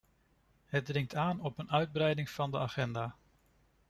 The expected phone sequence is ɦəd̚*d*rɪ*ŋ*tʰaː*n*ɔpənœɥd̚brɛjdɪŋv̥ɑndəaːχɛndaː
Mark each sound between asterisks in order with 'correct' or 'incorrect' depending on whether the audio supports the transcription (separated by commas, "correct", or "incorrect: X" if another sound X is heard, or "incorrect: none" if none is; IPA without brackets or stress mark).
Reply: correct, correct, correct